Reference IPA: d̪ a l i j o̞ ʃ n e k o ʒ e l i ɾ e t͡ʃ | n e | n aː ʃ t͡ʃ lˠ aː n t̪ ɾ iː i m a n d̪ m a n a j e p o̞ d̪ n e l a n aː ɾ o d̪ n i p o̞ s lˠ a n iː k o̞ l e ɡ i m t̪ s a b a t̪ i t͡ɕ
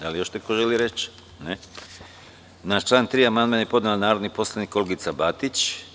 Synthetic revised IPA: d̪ a l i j o̞ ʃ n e k o ʒ e l i ɾ e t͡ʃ | n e | n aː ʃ t͡ʃ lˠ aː n t̪ ɾ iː a m a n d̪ m a n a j e p o̞ d̪ n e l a n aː ɾ o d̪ n i p o̞ s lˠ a n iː k o̞ l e ɡ i t̪ s a b a t̪ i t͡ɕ